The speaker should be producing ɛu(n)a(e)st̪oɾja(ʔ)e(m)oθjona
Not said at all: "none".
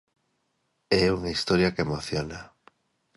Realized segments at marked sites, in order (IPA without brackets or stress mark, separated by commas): ŋ, i, k, m